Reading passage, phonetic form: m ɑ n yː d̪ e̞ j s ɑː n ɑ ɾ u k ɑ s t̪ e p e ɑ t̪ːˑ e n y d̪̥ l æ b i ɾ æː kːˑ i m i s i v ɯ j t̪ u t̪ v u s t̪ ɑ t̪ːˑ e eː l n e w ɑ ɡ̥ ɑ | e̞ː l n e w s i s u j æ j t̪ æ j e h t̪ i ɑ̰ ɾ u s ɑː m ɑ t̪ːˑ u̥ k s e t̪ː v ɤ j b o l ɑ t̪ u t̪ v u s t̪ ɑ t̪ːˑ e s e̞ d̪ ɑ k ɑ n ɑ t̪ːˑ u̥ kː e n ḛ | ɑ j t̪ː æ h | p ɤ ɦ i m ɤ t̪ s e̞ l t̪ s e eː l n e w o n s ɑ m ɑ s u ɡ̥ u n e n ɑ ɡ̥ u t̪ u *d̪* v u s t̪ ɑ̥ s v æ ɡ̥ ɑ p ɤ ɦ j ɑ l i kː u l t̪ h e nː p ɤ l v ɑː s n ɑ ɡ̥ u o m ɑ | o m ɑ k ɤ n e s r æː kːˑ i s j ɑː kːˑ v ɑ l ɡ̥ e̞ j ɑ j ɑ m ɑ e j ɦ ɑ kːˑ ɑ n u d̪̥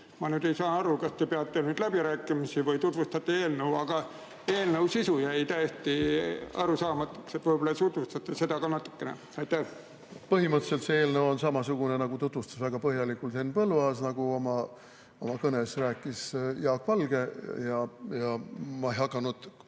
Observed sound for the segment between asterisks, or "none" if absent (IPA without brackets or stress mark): t̪